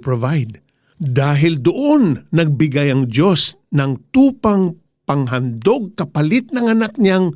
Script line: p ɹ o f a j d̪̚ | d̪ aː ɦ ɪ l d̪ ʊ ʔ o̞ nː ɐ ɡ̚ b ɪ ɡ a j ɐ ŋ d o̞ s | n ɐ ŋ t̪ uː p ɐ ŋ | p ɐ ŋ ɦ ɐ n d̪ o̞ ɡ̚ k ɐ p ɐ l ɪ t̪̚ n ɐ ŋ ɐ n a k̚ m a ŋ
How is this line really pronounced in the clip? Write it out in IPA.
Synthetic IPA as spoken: p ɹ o v a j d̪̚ | d̪ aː ɦ ɪ l d̪ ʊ ʔ o̞ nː ɐ ɡ̚ b ɪ ɡ a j ɐ ŋ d o̞ s | n ɐ ŋ t̪ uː p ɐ ŋ | p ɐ ŋ ɦ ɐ n d̪ o̞ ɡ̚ k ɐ p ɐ l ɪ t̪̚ n ɐ ŋ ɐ n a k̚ ɲ a ŋ